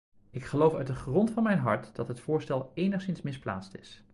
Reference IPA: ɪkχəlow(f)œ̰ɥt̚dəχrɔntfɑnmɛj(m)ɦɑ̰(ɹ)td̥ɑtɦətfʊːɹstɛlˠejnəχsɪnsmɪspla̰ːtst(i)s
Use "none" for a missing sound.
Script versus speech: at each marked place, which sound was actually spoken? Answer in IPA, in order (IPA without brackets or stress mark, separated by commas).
f, n, ɹ, ɪ